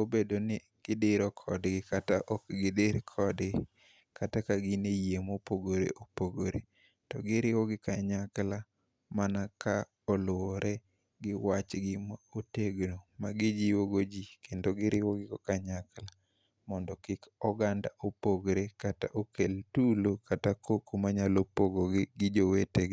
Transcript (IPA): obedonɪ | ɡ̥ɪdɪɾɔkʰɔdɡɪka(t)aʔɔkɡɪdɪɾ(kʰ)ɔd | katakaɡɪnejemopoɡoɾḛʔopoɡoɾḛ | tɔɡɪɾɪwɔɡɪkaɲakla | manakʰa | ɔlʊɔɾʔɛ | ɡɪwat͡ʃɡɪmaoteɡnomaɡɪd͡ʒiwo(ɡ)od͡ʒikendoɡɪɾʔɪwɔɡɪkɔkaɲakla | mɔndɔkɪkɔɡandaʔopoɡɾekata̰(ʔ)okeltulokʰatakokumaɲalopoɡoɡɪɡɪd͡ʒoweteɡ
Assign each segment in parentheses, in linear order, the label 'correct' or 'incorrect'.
correct, correct, correct, correct

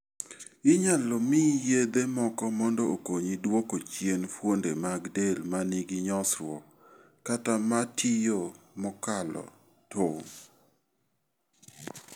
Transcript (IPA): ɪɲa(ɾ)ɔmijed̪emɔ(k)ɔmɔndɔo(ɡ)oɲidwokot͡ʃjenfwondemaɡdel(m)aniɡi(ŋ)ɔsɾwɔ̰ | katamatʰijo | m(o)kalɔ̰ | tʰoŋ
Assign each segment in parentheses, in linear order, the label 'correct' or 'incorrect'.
incorrect: l, correct, incorrect: k, correct, incorrect: ɲ, incorrect: ɔ

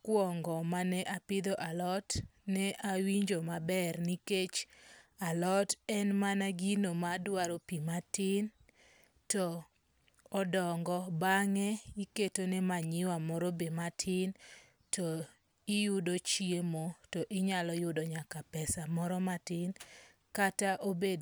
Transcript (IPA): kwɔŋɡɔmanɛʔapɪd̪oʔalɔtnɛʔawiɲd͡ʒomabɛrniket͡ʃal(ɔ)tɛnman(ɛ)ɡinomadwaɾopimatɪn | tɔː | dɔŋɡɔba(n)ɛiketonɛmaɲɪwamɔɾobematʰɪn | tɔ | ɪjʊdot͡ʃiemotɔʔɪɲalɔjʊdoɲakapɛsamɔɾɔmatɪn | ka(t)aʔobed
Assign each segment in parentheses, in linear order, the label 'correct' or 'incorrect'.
correct, incorrect: a, incorrect: ŋ, correct

